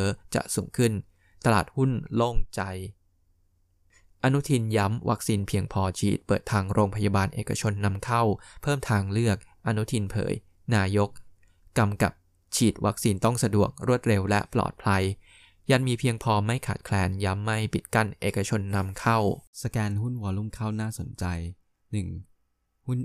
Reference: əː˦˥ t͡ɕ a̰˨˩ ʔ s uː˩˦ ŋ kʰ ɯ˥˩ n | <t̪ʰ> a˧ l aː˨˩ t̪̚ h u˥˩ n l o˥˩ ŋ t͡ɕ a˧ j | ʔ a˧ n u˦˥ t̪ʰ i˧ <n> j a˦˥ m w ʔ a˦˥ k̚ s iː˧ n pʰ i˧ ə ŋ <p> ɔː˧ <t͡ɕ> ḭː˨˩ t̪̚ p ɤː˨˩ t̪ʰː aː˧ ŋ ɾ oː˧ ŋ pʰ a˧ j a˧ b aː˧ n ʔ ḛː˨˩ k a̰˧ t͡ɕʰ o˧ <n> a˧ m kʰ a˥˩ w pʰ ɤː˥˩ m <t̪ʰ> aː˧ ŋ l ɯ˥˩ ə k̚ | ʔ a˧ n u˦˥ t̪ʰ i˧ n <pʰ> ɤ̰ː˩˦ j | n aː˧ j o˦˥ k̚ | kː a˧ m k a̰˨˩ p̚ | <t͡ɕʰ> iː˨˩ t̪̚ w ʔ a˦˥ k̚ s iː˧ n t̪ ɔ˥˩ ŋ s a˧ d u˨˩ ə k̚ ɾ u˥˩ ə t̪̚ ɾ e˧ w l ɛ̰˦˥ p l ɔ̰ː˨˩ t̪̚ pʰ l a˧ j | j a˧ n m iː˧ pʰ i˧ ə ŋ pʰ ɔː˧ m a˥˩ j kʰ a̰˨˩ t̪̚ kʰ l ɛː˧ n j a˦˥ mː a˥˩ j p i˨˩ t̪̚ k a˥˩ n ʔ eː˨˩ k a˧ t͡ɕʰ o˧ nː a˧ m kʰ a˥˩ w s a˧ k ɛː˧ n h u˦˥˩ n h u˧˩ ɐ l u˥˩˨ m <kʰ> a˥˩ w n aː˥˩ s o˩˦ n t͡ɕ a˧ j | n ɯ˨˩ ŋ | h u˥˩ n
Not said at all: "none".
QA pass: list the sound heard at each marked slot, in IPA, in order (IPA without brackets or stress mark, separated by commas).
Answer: t̪, n, pʰ, t͡ɕʰ, nː, t̪ʰ, pʰ, t͡ɕʰ, kʰ